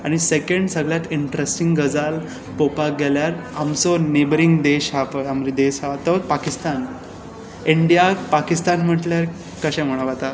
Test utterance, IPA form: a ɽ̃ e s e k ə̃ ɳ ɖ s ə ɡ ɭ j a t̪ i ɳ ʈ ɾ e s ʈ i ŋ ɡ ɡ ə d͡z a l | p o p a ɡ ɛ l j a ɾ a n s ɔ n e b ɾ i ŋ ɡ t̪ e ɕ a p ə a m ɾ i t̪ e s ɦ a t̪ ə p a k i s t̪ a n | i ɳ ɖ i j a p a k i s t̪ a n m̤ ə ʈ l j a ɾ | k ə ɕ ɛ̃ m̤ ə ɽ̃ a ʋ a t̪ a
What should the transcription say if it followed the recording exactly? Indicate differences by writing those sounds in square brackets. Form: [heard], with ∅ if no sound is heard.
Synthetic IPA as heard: a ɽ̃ [i] s e k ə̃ ɳ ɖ s ə ɡ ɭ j a t̪ i ɳ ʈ ɾ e s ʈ i ŋ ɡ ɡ ə d͡z a l | p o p a ɡ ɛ l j a ɾ a [m] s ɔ n e b ɾ i ŋ ɡ [d̪] e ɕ a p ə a m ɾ i [d̪] e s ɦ a t̪ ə p a k i s t̪ a n | i ɳ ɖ i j a p a k i s t̪ a n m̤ ə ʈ l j a ɾ | k ə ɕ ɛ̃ m̤ ə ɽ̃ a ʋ a t̪ a